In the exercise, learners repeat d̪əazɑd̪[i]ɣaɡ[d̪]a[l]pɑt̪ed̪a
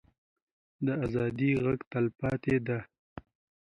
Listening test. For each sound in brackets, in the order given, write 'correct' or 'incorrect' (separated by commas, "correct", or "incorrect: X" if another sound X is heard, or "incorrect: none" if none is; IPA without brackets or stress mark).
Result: correct, incorrect: t̪, correct